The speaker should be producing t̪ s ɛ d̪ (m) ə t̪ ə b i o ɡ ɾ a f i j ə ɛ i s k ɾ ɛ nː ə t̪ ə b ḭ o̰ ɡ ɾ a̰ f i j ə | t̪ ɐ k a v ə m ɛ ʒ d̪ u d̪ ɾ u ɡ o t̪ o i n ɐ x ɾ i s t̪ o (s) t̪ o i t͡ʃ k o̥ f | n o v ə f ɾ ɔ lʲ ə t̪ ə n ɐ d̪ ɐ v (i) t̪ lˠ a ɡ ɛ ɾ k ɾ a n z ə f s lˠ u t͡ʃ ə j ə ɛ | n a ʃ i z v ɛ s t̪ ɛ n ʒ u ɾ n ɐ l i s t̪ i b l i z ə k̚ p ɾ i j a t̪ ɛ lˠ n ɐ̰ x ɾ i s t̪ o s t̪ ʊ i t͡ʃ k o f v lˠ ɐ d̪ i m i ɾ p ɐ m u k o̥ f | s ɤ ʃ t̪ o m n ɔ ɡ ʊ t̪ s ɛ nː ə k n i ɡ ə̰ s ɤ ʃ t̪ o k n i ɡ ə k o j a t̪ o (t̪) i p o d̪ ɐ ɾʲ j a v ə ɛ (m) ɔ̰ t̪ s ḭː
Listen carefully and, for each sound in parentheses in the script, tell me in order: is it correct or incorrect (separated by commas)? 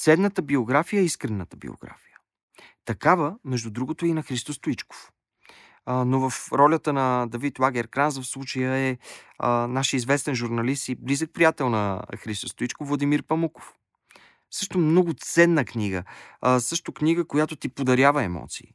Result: incorrect, correct, correct, correct, correct